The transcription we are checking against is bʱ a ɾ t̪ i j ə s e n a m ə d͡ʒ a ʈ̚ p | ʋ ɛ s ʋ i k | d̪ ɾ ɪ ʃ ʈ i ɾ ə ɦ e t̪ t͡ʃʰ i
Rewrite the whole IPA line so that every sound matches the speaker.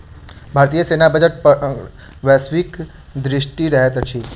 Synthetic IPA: bʱ a ɾ t̪ i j ə s e n a b ə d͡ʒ ə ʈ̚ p | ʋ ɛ s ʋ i k | d̪ ɾ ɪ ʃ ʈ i ɾ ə ɦ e t̪ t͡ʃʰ i